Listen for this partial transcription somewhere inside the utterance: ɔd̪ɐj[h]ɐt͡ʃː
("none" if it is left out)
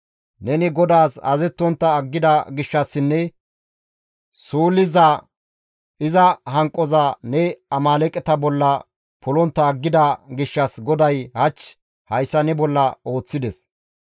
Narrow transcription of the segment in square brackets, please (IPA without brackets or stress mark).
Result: h